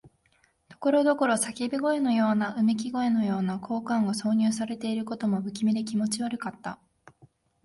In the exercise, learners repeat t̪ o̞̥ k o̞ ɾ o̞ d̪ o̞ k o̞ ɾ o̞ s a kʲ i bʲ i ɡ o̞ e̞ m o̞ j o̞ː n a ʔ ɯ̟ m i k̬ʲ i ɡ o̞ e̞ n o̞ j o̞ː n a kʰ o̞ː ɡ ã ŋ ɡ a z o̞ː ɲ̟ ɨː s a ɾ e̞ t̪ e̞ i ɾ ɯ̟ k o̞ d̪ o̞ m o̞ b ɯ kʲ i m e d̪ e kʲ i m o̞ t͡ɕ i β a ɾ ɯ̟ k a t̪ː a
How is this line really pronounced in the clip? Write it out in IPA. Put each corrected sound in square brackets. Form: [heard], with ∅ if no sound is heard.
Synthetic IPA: t̪ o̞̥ k o̞ ɾ o̞ d̪ o̞ k o̞ ɾ o̞ s a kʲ i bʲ i ɡ o̞ e̞ [n] o̞ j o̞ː n a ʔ ɯ̟ m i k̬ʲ i ɡ o̞ e̞ n o̞ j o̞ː n a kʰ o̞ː [k] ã ŋ ɡ a [s] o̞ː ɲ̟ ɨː s a ɾ e̞ t̪ e̞ i ɾ ɯ̟ k o̞ [t̪] o̞ m o̞ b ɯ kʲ i m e d̪ e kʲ i m o̞ t͡ɕ i β a ɾ ɯ̟ k a t̪ː a